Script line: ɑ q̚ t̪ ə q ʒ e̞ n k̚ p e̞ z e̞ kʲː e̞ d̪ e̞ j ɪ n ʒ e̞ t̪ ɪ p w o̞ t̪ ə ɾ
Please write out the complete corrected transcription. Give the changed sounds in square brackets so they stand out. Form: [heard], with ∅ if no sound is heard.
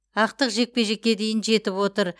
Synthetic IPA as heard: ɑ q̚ t̪ ə q ʒ e̞ [∅] k̚ p e̞ [ʒ] e̞ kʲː e̞ d̪ e̞ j ɪ n ʒ e̞ t̪ ɪ p w o̞ t̪ ə ɾ